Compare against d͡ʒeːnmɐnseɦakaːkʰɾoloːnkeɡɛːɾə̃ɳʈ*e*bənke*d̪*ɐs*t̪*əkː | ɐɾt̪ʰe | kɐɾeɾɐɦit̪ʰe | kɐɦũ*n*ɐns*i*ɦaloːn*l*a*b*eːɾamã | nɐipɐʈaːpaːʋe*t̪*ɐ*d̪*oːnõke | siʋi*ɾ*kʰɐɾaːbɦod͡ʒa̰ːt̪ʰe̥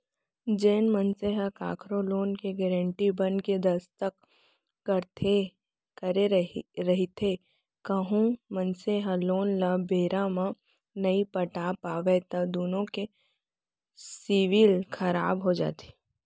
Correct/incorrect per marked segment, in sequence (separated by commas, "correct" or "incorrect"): incorrect, correct, correct, incorrect, incorrect, correct, correct, correct, correct, incorrect